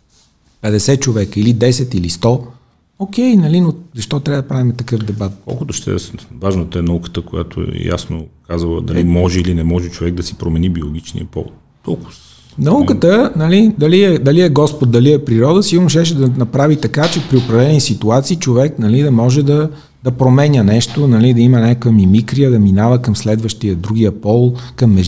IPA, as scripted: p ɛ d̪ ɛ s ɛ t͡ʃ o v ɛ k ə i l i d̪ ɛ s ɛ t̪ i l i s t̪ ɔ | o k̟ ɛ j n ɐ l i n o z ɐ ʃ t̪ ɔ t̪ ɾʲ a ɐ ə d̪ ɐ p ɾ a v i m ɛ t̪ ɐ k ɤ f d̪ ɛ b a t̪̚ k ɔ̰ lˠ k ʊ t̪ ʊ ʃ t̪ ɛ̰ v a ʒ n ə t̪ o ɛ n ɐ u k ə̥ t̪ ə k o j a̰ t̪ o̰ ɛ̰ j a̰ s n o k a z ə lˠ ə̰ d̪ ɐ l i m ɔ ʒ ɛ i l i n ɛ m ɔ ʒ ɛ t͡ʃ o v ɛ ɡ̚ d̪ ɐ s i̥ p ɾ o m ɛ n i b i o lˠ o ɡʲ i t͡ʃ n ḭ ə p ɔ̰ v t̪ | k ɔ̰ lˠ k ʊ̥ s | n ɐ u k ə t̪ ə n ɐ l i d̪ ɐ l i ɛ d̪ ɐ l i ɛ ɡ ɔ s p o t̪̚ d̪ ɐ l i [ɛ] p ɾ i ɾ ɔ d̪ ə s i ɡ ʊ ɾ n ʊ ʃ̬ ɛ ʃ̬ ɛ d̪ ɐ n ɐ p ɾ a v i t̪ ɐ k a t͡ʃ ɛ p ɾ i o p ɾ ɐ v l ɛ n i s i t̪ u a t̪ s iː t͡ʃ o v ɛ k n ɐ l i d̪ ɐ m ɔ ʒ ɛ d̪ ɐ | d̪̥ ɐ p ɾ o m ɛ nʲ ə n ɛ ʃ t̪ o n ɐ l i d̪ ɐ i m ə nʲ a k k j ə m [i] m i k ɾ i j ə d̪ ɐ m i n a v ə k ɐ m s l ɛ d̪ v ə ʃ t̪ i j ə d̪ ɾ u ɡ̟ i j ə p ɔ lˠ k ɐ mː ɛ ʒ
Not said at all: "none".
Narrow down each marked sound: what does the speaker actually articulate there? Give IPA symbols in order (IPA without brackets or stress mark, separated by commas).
ɛ, i